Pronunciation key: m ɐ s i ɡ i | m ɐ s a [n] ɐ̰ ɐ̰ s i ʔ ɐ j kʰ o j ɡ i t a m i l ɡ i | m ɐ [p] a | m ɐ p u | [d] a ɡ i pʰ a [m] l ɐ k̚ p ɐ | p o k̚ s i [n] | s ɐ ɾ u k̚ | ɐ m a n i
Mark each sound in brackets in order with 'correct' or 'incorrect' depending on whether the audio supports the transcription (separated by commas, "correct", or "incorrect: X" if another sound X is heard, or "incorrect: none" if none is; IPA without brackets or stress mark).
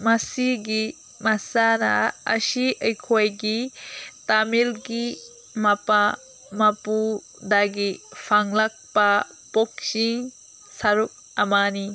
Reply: correct, correct, correct, incorrect: ŋ, incorrect: ŋ